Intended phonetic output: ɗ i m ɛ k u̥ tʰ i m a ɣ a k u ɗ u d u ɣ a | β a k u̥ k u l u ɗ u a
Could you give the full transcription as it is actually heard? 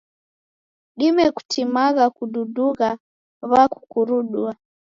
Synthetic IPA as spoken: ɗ i m ɛ k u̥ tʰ i m a ɣ a k u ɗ u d u ɣ a | β a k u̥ k u ɾ u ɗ u a